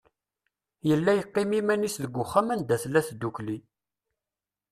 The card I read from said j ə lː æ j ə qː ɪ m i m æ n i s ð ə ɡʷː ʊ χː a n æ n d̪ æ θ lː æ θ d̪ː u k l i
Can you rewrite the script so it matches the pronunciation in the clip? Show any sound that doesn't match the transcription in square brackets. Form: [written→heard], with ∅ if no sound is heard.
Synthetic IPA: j ə lː æ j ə qː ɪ m i m æ n i s ð ə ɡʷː ʊ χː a [n→m] æ n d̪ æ θ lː æ θ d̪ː u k l i